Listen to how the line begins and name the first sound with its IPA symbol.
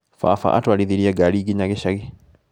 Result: f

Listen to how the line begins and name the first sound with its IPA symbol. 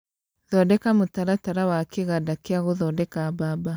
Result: ð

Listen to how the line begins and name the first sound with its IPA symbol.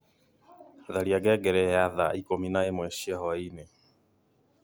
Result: ð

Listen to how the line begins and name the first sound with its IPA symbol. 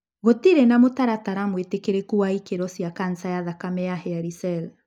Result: ɣ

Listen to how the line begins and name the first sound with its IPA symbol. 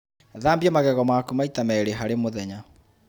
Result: ð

